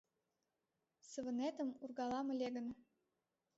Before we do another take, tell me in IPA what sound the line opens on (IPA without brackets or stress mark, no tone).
s